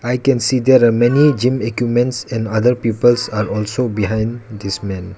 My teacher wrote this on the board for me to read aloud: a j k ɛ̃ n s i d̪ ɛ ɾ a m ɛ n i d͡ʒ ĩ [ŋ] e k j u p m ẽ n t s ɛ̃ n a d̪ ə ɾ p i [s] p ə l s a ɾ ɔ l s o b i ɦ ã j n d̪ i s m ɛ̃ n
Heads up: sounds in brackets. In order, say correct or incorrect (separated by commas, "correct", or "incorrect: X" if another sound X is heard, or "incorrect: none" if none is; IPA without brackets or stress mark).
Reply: incorrect: m, incorrect: none